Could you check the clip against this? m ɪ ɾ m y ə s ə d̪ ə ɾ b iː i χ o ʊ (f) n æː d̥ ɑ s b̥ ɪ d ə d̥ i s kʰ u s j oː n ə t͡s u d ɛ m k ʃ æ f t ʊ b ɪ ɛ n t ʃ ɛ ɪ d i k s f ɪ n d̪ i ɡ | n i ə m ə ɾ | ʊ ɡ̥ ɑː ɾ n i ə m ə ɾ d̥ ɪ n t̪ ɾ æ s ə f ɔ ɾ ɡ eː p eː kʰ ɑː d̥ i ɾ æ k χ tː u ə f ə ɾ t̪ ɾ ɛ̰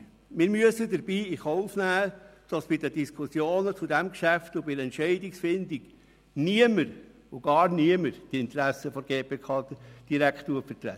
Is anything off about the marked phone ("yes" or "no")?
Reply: no